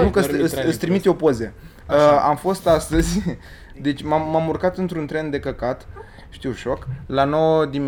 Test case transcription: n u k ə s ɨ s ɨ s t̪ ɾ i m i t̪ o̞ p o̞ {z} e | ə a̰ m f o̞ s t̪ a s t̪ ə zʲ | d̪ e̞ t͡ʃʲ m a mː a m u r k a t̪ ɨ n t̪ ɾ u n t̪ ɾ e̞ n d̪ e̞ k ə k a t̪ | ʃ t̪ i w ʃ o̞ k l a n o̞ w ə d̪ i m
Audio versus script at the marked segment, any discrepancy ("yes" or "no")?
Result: no